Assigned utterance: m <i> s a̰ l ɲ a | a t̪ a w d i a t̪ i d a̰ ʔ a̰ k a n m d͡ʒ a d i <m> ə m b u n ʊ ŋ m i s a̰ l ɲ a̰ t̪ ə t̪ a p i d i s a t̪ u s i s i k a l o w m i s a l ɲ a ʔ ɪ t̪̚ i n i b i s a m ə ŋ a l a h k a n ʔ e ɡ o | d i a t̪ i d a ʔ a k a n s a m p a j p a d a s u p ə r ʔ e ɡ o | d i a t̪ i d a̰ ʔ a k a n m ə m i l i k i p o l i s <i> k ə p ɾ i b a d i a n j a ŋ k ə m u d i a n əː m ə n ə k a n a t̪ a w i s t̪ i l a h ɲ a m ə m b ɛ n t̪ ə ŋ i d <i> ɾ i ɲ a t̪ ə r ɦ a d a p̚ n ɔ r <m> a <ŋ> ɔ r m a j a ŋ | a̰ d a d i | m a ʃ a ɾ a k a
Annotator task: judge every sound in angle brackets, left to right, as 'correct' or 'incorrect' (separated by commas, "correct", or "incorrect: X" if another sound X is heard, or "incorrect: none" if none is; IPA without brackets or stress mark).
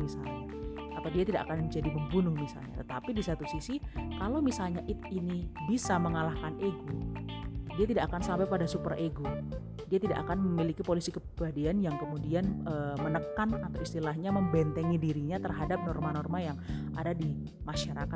correct, correct, correct, correct, correct, incorrect: n